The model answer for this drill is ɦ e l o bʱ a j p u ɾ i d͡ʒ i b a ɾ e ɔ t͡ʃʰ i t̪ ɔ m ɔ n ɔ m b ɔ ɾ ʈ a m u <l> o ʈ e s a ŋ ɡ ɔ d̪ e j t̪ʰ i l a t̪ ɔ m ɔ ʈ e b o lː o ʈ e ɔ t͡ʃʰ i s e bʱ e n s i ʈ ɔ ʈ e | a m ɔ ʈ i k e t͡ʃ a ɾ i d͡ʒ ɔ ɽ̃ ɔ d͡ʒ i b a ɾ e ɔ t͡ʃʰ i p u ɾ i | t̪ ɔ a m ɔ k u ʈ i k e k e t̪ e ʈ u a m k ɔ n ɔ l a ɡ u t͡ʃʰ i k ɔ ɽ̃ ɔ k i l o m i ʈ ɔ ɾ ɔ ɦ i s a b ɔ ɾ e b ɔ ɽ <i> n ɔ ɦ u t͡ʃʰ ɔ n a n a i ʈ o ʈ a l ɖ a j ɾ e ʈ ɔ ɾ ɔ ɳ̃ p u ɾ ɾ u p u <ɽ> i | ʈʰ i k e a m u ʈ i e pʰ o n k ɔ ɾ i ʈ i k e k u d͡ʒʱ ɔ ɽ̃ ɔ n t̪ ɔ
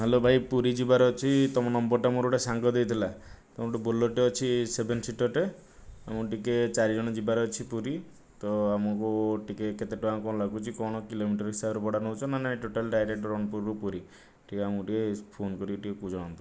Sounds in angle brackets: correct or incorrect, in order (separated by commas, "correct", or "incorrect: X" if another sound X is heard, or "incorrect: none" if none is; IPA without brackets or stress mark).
incorrect: ɾ, incorrect: a, incorrect: ɾ